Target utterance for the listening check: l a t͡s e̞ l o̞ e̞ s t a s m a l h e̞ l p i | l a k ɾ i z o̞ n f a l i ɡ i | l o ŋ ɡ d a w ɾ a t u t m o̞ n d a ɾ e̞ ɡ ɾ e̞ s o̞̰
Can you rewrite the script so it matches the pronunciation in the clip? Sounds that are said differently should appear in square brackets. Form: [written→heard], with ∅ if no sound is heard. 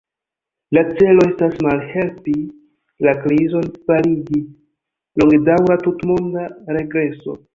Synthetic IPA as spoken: l a t͡s e̞ l o̞ e̞ s t a s m a l h e̞ l p i | l a k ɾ i z o̞ n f a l i ɡ i | l o ŋ ɡ d a w ɾ a t u t m o̞ n d a ɾ e̞ ɡ ɾ e̞ s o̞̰